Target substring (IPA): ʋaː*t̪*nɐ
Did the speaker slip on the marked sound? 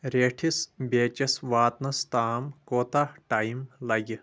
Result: no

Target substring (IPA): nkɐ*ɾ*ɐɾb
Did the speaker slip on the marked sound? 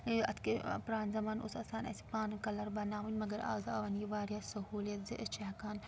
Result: yes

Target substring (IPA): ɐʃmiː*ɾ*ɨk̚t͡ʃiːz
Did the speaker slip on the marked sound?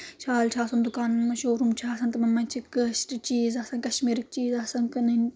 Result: no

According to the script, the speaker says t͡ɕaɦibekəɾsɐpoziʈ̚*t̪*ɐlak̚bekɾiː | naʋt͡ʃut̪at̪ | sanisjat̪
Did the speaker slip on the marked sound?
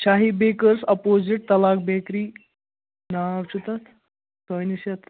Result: no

